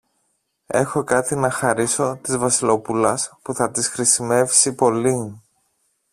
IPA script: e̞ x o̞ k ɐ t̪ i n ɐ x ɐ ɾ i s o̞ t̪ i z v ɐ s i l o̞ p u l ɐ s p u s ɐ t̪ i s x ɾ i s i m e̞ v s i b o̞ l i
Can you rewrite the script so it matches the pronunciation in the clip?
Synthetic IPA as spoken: e̞ x o̞ k ɐ t̪ i n ɐ x ɐ ɾ i s o̞ t̪ i z v ɐ s i l o̞ p u l ɐ s p u θ ɐ t̪ i s x ɾ i s i m e̞ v s i p o̞ l i

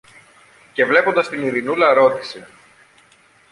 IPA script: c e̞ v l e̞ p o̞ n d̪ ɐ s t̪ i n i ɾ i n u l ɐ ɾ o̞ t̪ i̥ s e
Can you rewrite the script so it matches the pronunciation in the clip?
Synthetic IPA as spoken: c e̞ v l e̞ p o̞ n d̪ ɐ s t̪ i n i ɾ i n u l ɐ ɾ o̞ t̪ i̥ s e

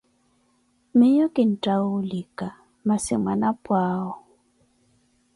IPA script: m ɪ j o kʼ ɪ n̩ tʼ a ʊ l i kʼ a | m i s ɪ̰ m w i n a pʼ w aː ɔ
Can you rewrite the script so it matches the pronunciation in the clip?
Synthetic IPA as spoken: m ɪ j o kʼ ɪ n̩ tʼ a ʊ l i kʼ a | m a s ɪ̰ m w a n a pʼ w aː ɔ

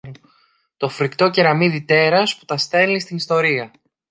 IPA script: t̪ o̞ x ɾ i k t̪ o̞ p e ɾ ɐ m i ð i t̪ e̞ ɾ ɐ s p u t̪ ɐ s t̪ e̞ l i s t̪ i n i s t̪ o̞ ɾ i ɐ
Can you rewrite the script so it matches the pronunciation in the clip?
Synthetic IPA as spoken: t̪ o̞ f ɾ i k t̪ o̞ c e ɾ ɐ m i ð i t̪ e̞ ɾ ɐ s p u t̪ ɐ s t̪ e̞ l i s t̪ i n i s t̪ o̞ ɾ i ɐ

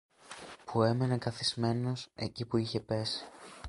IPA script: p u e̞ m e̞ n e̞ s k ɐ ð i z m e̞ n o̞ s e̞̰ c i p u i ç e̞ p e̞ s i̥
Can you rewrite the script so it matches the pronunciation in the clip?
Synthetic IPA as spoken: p u e̞ m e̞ n e̞ k ɐ θ i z m e̞ n o̞ s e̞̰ c i p u i ç e̞ p e̞ s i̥

